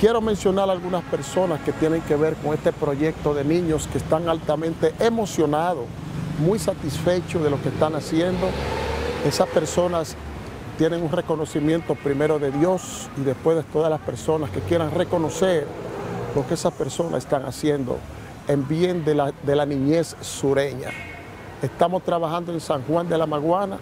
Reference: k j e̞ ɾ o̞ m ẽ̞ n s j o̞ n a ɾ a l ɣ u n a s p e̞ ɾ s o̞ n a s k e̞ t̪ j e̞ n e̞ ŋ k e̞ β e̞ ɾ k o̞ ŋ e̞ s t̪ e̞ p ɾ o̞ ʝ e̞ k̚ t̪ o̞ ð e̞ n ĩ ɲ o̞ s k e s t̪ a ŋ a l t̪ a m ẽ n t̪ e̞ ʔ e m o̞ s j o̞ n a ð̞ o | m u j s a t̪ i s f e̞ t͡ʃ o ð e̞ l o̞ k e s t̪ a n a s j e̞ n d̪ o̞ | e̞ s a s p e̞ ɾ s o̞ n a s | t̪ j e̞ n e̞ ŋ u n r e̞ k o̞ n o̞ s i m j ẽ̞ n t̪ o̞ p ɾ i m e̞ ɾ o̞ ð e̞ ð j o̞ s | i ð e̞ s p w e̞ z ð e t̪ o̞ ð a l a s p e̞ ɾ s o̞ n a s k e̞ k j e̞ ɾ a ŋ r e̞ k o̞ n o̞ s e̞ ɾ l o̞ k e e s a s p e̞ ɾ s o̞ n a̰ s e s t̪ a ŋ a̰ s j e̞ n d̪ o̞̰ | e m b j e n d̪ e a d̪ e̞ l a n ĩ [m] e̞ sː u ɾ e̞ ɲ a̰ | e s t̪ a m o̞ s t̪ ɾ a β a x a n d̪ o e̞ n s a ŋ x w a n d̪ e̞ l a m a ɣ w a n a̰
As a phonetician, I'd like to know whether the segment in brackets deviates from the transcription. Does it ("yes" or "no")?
yes